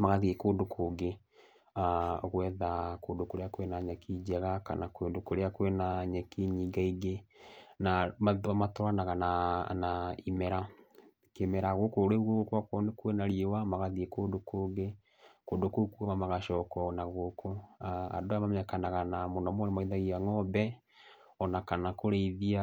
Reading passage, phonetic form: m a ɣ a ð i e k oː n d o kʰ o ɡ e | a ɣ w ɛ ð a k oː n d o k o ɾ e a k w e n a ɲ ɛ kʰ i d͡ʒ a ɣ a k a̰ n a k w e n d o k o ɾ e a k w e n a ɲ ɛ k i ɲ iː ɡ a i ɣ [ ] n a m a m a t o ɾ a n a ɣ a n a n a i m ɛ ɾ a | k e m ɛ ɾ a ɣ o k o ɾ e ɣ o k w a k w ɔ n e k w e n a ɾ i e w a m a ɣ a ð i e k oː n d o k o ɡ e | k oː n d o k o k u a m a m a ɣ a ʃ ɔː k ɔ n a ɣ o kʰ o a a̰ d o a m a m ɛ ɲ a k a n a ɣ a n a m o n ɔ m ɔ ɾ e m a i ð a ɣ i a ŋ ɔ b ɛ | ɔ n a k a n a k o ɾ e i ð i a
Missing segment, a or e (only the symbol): e